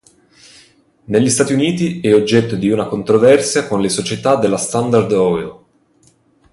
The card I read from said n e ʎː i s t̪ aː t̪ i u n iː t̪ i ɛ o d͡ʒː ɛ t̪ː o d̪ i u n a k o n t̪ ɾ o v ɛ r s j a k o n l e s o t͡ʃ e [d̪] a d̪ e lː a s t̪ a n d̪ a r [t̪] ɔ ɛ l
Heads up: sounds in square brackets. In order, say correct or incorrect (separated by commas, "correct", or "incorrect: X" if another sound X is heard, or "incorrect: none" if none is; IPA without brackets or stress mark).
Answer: incorrect: t̪, incorrect: d̪